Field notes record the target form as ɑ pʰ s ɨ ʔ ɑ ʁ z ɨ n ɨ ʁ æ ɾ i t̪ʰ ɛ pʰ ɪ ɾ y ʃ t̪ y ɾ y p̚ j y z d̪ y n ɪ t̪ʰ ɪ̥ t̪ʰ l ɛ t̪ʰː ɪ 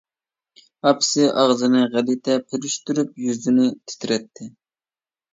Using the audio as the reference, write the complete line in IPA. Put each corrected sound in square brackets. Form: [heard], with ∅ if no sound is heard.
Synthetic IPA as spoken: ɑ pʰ s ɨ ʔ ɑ ʁ z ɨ n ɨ ʁ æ [l] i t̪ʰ ɛ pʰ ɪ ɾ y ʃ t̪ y ɾ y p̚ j y z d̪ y n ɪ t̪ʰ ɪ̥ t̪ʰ [ɾ] ɛ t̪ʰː ɪ